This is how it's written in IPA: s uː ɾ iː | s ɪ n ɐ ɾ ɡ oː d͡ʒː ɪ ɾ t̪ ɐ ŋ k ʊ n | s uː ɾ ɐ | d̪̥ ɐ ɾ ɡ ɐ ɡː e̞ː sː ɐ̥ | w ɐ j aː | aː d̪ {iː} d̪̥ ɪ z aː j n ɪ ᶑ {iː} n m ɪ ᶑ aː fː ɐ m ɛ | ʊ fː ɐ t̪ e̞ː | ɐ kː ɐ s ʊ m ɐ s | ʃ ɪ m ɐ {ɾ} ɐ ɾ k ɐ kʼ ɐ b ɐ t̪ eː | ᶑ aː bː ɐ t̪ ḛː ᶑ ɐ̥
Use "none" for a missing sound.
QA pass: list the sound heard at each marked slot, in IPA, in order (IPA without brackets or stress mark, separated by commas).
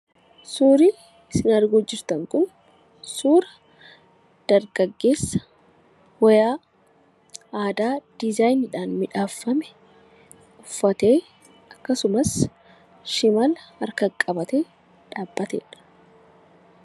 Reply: aː, aː, l